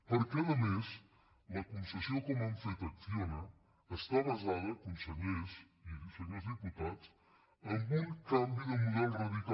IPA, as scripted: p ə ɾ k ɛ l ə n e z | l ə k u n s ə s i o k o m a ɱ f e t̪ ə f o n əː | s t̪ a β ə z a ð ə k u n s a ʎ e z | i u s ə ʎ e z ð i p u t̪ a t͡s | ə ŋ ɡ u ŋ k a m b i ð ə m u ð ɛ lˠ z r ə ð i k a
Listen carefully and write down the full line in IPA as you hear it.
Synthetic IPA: p ə ɾ k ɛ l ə m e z | l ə k u n s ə s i o k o m a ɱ f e t̪ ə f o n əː | s t̪ a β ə z a ð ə k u n s ə ʎ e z | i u s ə ʎ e z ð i p u t̪ a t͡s | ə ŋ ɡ u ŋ k a m b i ð ə m u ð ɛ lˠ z r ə ð i k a